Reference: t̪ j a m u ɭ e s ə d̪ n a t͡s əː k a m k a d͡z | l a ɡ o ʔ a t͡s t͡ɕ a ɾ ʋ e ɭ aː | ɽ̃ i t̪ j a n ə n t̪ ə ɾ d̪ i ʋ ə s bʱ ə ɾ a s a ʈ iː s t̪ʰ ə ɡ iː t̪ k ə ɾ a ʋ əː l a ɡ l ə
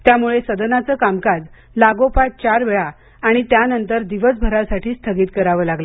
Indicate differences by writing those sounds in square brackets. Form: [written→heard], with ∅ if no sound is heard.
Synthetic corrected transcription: t̪ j a m u ɭ e s ə d̪ n a t͡s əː k a m k a d͡z | l a ɡ o [ʔ→p] a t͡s t͡ɕ a ɾ ʋ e ɭ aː | ɽ̃ i t̪ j a n ə n t̪ ə ɾ d̪ i ʋ ə s bʱ ə ɾ a s a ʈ iː s t̪ʰ ə ɡ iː t̪ k ə ɾ a ʋ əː l a ɡ l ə